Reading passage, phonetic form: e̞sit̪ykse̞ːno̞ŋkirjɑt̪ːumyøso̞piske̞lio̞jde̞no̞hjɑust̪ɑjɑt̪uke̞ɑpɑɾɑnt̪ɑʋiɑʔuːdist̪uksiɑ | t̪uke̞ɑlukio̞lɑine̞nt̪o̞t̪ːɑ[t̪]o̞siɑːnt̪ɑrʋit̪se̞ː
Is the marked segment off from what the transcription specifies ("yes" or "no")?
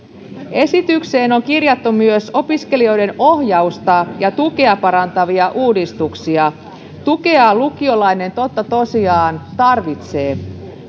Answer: no